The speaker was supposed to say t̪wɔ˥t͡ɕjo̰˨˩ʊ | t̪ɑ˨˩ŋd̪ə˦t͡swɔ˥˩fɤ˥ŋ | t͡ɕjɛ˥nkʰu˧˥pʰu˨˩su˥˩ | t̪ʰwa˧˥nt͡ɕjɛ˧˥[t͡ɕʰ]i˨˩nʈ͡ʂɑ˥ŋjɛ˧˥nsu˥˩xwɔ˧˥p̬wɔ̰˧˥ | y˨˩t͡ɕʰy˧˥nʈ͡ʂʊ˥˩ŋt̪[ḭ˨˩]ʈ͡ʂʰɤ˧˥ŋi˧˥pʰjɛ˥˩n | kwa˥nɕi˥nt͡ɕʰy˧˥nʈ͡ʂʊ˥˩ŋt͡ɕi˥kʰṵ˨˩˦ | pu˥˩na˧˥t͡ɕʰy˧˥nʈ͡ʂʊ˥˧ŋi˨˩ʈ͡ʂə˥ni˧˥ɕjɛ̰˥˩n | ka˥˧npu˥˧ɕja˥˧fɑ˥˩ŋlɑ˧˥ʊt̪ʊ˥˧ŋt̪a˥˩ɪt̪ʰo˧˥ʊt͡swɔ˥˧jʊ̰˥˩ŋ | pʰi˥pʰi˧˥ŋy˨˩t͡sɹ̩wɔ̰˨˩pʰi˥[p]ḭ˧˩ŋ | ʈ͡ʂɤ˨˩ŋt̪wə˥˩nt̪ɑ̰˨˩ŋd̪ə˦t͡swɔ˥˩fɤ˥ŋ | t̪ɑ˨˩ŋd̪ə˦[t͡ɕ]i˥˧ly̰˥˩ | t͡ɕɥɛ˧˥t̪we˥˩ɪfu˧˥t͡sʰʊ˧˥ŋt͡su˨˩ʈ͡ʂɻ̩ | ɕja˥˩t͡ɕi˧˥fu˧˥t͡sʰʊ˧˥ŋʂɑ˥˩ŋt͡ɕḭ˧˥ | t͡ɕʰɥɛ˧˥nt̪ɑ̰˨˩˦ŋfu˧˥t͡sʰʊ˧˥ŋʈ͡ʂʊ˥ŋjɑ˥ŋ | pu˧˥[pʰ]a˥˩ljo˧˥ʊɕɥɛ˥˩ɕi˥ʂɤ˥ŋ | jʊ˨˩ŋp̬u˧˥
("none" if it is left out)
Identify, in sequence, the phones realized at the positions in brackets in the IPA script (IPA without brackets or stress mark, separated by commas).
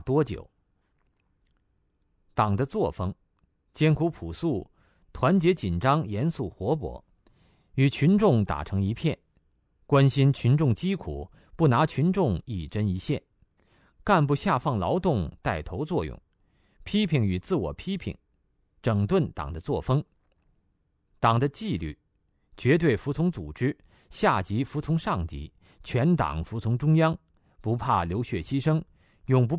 t͡ɕ, a̰˨˩, pʰ, t͡ɕ, pʰ